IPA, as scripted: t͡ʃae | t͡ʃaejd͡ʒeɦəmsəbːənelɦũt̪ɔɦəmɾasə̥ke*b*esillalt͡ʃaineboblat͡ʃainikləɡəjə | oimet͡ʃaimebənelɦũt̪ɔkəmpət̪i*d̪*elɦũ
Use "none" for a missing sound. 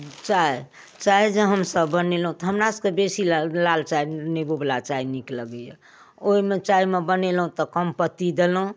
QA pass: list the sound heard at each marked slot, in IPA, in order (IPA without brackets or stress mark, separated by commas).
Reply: b, d̪